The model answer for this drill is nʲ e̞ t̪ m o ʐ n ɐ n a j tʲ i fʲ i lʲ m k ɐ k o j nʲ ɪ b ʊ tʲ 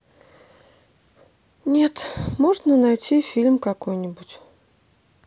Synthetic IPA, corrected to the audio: nʲ e̞ t̪ m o ʐ n ə n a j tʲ i fʲ i lʲ m k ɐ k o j nʲ ɪ b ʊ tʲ